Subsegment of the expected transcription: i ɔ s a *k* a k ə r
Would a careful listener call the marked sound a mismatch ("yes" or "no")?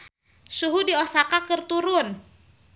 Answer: no